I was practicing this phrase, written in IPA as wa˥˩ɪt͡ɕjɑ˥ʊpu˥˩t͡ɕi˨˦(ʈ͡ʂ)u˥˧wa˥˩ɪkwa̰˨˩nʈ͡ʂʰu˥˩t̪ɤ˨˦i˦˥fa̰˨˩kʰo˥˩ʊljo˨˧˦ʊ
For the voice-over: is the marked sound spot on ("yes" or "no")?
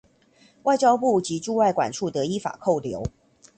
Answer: yes